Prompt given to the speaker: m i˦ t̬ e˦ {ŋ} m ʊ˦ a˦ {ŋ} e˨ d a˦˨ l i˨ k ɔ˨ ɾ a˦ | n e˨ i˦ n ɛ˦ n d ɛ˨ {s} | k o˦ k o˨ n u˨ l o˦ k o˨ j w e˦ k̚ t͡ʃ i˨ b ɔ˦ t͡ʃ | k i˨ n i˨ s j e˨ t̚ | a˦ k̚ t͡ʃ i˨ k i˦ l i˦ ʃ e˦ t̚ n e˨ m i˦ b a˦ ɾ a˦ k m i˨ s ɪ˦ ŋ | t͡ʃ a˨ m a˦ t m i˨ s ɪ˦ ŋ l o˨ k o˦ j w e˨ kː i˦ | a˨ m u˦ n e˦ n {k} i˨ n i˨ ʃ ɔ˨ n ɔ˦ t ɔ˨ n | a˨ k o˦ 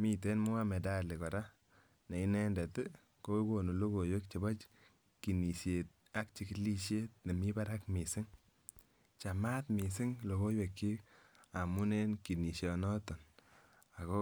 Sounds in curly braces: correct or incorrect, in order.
incorrect: n, incorrect: m, incorrect: t, correct

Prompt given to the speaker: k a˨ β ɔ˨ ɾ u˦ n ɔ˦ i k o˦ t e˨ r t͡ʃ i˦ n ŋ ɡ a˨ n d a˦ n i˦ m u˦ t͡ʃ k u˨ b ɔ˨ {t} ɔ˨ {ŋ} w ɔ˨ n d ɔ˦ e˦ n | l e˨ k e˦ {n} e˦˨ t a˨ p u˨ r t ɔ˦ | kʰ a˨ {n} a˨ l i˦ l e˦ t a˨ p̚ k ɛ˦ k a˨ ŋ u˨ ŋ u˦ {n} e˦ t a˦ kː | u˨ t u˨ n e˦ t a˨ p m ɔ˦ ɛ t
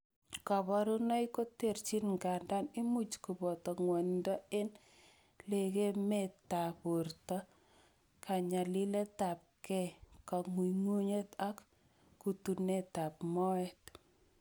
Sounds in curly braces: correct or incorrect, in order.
correct, correct, incorrect: m, incorrect: ɲ, incorrect: ɲ

